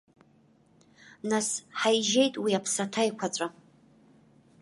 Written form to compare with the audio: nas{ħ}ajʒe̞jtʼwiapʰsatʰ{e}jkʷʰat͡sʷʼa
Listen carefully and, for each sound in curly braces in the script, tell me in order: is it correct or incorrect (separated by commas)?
correct, incorrect